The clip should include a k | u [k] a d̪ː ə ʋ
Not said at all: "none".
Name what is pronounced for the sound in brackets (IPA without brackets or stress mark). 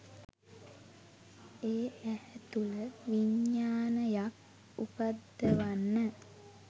p